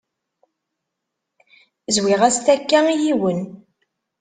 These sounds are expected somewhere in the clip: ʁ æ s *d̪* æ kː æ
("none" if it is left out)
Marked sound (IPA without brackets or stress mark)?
t̪